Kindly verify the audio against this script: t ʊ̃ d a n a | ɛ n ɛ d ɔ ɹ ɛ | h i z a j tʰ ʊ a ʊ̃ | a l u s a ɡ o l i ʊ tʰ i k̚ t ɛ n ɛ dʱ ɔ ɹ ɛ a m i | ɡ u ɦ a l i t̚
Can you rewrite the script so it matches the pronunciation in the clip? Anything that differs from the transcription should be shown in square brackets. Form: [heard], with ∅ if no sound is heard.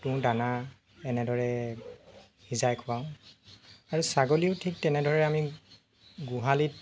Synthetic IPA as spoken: t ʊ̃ d a n a | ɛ n ɛ d ɔ ɹ ɛ | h i z a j [kʰ] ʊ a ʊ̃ | a [ɹ] u s a ɡ o l i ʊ tʰ i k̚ t ɛ n ɛ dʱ ɔ ɹ ɛ a m i | ɡ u ɦ a l i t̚